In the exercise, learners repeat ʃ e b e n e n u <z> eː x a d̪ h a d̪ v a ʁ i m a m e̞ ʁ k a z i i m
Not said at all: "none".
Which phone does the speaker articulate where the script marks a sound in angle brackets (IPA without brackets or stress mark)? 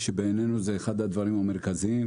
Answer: z